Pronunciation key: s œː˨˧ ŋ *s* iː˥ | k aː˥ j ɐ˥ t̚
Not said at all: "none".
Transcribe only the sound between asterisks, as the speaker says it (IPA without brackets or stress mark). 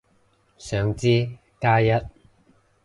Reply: t͡s